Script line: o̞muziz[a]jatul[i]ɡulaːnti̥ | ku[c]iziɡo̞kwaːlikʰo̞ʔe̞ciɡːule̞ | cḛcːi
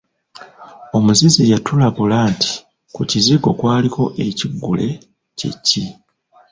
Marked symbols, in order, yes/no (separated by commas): no, no, yes